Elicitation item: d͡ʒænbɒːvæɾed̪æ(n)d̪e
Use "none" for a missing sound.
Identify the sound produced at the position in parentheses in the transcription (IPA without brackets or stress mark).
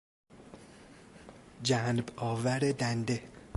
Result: n